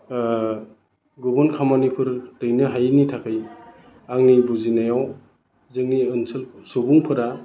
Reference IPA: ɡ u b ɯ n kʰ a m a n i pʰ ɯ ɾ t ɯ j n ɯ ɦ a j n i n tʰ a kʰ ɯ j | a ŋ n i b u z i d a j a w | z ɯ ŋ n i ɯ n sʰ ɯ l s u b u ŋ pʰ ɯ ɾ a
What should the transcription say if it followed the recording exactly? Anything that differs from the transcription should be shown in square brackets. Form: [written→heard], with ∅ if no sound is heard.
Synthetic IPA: ɡ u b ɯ n kʰ a m a n i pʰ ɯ ɾ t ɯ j n ɯ ɦ a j n i [n→∅] tʰ a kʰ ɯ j | a ŋ n i b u z i [d→n] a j a w | z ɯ ŋ n i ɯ n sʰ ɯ l s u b u ŋ pʰ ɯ ɾ a